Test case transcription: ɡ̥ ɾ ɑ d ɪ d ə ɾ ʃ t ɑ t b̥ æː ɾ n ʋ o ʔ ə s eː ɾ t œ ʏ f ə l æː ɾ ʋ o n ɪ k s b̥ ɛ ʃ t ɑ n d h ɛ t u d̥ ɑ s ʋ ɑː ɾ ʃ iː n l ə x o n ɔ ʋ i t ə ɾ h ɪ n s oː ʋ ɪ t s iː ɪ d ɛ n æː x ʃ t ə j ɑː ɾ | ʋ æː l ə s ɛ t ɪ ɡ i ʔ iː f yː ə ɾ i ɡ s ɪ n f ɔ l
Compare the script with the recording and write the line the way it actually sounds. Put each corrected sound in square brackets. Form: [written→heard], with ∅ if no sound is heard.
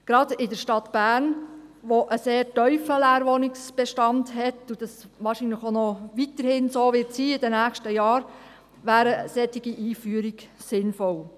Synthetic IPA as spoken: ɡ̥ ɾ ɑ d ɪ d ə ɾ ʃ t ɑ t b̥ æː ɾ n ʋ o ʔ ə s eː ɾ t œ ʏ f ə l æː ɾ ʋ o n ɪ k s b̥ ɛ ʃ t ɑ n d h ɛ t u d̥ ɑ s ʋ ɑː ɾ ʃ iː n l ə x o n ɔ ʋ i t ə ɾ h ɪ n s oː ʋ ɪ t s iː ɪ d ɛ n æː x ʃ t ə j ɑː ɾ | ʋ æː [l→ɾ] ə s ɛ t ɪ ɡ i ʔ iː f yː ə ɾ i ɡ s ɪ n f ɔ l